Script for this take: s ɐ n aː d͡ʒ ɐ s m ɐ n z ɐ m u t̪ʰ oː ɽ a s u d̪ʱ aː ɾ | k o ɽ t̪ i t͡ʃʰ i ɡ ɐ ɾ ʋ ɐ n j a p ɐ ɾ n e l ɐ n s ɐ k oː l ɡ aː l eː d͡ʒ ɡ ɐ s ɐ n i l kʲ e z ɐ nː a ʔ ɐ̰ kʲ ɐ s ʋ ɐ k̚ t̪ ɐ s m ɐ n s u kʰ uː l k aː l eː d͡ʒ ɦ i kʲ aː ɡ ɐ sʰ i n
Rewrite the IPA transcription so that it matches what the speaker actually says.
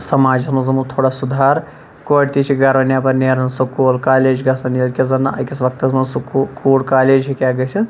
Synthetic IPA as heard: s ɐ m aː d͡ʒ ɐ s m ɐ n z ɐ m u t̪ʰ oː ɽ a s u d̪ʱ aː ɾ | k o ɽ t̪ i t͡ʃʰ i ɡ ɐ ɾ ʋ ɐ n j a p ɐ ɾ n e ɾ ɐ n s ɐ k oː l k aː l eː d͡ʒ ɡ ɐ s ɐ n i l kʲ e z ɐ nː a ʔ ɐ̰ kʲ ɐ s ʋ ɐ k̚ t̪ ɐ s m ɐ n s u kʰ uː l k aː l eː d͡ʒ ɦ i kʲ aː ɡ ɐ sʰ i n